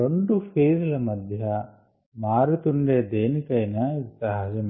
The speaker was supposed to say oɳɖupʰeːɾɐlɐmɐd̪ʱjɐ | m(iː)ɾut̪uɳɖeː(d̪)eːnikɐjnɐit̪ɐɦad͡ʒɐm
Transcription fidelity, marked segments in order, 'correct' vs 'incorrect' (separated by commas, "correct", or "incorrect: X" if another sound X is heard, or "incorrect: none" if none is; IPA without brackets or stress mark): incorrect: aː, correct